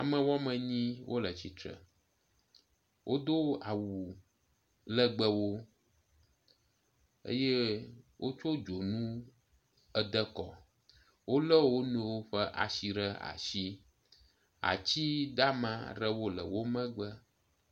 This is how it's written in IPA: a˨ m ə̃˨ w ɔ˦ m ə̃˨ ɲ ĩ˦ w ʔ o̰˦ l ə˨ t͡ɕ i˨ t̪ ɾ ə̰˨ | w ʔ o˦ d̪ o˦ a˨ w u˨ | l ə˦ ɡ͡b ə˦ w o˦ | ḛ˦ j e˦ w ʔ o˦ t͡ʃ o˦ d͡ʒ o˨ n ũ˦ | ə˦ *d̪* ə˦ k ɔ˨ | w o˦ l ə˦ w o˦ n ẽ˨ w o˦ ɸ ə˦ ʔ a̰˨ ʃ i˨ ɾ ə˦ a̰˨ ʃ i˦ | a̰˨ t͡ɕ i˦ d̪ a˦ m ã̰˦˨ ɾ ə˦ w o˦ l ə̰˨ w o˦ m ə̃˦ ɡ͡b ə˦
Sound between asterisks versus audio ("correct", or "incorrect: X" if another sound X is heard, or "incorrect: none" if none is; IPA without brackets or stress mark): correct